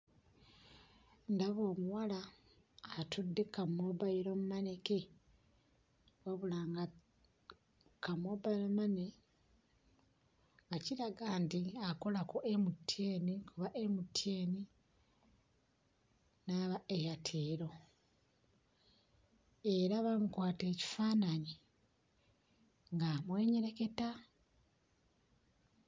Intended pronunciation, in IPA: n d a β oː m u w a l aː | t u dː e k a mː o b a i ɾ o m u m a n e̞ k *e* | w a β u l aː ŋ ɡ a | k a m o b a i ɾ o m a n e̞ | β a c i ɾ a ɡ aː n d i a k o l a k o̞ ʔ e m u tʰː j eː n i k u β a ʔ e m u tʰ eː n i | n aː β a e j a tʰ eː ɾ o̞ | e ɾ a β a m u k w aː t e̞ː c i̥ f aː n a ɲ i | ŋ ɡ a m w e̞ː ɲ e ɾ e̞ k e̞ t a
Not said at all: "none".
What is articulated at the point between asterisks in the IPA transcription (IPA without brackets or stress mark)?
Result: e